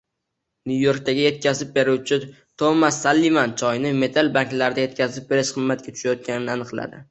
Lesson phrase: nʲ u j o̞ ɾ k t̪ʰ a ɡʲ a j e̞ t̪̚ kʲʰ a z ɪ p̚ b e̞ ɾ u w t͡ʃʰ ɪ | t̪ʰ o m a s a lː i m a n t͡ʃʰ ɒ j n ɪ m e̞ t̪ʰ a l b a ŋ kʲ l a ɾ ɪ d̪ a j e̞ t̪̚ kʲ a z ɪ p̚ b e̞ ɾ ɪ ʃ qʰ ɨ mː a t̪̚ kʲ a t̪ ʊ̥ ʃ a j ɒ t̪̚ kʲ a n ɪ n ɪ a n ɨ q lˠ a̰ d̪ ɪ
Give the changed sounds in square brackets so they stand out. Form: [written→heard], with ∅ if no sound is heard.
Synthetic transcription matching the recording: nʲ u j o̞ ɾ k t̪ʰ a ɡʲ a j e̞ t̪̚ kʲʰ a z ɪ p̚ b e̞ ɾ u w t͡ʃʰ ɪ | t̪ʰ o m a s a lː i m a n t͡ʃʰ ɒ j n ɪ m e̞ t̪ʰ a l b a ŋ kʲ l a ɾ ɪ d̪ a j e̞ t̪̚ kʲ a z ɪ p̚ b e̞ ɾ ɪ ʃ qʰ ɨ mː a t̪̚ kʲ a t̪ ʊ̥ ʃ a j ɒ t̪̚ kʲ a n ɪ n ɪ a n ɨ q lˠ a̰ d̪ ɪ